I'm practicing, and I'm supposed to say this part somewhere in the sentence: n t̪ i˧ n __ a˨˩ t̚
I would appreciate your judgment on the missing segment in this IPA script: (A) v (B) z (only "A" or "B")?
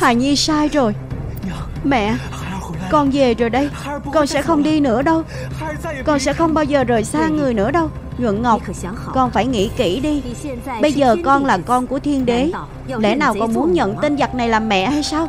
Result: B